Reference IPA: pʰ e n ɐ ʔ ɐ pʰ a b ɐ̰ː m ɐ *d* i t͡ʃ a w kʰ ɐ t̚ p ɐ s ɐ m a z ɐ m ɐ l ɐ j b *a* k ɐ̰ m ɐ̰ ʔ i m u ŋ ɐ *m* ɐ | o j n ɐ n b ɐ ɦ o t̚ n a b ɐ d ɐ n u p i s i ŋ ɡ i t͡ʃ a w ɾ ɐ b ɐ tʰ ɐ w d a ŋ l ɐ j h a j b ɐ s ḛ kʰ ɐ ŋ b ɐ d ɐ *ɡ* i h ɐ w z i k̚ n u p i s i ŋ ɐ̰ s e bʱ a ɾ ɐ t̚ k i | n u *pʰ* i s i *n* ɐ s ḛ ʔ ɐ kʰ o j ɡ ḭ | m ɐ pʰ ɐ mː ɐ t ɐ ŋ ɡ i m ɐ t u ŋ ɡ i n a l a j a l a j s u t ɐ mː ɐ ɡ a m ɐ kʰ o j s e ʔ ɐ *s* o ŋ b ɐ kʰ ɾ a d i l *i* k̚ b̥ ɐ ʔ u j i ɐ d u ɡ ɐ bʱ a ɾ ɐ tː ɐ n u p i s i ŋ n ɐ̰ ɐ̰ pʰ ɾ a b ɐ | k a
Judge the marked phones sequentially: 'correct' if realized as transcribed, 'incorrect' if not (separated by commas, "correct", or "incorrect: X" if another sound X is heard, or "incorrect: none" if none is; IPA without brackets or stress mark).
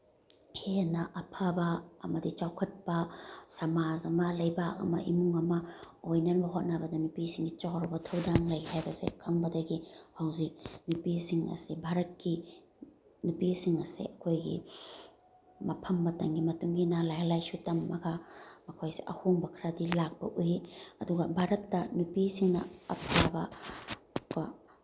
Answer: correct, correct, correct, correct, incorrect: p, incorrect: ŋ, incorrect: h, incorrect: a